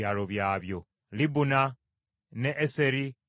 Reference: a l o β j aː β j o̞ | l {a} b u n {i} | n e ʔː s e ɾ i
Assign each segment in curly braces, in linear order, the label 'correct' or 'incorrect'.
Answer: incorrect, incorrect

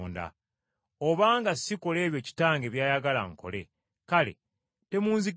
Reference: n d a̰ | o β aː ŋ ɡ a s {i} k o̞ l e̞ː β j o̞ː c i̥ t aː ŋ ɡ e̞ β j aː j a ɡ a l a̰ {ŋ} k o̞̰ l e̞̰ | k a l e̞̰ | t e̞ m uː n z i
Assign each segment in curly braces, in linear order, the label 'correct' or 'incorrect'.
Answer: correct, correct

